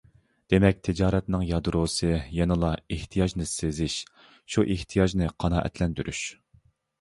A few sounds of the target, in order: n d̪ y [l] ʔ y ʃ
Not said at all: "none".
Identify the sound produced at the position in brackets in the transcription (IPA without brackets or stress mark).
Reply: ɾ